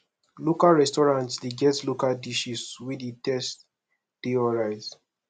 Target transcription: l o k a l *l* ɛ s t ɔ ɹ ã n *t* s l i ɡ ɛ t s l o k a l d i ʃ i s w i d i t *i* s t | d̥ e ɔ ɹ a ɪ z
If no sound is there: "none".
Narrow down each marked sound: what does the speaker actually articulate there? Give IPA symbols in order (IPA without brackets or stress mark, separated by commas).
ɹ, t, ɛ